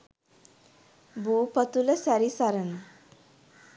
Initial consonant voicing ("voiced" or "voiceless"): voiced